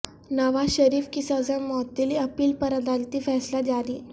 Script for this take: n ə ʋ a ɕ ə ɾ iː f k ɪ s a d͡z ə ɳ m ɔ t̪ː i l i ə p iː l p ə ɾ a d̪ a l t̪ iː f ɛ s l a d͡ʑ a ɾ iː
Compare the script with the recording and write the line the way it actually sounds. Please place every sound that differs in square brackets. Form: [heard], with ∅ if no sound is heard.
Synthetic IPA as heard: n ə ʋ a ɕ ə ɾ iː f k [i] s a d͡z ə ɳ m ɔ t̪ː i l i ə p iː l p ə ɾ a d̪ a l t̪ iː f ɛ s l a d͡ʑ a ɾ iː